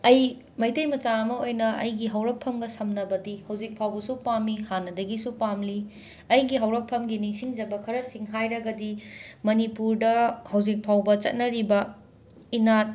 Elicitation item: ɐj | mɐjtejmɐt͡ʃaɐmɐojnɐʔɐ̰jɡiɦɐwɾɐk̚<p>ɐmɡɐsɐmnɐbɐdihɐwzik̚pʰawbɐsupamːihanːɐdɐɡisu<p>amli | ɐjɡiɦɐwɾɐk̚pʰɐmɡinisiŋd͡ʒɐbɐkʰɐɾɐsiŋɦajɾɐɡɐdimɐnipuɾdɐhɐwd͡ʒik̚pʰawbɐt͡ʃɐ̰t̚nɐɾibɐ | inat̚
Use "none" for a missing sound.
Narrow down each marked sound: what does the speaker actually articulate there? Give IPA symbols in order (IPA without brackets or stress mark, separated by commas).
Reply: pʰ, p